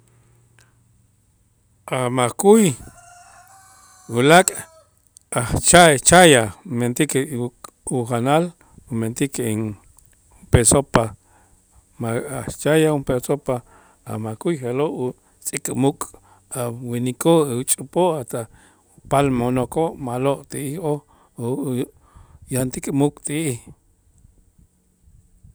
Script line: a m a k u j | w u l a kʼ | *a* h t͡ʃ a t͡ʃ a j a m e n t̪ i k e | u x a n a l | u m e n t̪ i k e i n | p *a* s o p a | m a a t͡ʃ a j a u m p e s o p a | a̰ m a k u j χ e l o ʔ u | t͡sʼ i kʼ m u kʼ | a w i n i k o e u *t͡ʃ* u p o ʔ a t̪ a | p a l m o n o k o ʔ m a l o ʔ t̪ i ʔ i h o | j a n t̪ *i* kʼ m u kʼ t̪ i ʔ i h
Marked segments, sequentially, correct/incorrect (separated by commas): correct, incorrect, incorrect, correct